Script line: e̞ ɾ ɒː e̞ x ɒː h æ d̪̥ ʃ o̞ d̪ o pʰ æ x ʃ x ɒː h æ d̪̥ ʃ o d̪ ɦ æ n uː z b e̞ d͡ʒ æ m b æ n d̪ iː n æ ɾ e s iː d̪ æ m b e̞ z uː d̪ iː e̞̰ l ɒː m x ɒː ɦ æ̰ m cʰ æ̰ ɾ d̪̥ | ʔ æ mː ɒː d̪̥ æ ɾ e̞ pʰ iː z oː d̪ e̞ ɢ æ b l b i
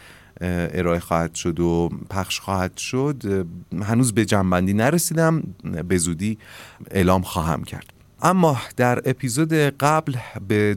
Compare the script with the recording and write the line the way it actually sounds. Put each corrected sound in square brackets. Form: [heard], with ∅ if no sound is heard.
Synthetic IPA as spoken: e̞ ɾ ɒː e̞ x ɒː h æ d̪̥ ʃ o̞ d̪ o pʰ æ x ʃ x ɒː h æ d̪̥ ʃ o d̪ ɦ æ n uː z b e̞ d͡ʒ æ m b æ n d̪ iː n æ ɾ e s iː d̪ æ m b e̞ z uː d̪ iː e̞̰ l ɒː m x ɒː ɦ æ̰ m cʰ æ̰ ɾ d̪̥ | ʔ æ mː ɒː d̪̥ æ ɾ e̞ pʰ iː z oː d̪ e̞ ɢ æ b l b [e]